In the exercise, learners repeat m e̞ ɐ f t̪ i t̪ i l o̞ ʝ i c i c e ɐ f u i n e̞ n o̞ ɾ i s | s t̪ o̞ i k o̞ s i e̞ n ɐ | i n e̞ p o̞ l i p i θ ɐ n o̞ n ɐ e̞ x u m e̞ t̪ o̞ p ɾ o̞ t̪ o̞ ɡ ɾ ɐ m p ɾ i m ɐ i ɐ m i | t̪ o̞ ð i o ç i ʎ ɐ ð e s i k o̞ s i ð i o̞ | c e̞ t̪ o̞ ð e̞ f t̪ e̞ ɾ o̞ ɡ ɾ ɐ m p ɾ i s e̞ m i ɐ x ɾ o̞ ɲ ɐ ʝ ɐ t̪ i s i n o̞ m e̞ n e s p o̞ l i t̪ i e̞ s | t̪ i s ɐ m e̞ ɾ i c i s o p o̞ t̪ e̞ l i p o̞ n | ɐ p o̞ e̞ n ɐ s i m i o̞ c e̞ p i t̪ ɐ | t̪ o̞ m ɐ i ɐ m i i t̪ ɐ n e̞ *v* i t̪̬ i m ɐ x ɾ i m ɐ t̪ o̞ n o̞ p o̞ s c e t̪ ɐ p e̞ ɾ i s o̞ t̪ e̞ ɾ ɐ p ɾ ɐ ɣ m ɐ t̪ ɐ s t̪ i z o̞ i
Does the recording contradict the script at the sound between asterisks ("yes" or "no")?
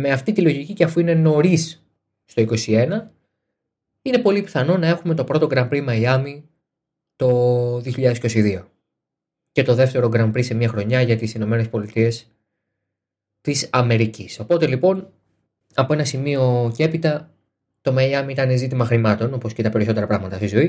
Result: yes